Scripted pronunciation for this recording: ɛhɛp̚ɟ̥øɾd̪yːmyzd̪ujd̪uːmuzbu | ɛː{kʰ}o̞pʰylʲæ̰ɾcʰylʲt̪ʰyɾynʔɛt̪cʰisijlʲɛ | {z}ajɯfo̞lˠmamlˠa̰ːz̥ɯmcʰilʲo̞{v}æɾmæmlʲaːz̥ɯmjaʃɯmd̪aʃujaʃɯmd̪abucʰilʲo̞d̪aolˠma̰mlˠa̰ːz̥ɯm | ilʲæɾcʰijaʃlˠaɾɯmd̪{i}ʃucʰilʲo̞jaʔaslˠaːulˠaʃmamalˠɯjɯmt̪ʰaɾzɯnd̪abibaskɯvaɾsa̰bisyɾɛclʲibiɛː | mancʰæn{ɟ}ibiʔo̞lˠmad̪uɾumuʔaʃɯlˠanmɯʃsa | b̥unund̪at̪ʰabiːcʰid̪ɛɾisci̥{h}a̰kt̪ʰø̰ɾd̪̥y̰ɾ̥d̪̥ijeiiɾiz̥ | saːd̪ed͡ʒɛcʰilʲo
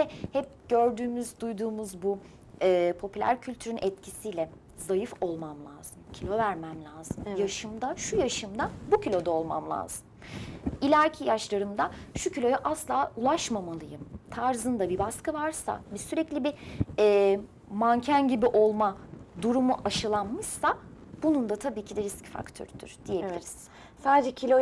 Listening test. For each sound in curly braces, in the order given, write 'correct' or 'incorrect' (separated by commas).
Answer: incorrect, correct, correct, incorrect, correct, incorrect